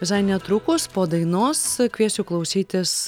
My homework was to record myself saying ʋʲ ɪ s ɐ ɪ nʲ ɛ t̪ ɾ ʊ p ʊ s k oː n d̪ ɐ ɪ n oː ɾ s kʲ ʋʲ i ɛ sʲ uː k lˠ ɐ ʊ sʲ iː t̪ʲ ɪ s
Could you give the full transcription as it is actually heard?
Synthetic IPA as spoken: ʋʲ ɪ s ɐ ɪ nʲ ɛ t̪ ɾ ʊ k ʊ s p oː d̪ ɐ ɪ n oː s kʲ ʋʲ i ɛ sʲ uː k lˠ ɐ ʊ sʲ iː t̪ʲ ɪ s